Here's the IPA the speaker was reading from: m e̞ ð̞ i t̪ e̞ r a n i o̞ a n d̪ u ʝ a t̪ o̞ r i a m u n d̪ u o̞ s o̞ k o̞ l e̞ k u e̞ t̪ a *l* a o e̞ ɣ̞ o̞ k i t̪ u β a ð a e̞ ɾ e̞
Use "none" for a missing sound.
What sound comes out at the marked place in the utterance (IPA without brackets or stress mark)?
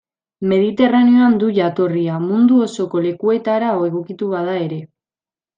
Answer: ɾ